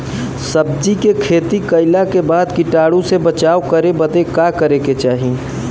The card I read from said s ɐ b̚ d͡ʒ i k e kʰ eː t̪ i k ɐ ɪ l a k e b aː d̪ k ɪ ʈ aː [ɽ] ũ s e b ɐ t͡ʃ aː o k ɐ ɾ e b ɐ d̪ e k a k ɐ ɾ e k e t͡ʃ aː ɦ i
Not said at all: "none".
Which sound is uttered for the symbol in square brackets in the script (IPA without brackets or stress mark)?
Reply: ɽ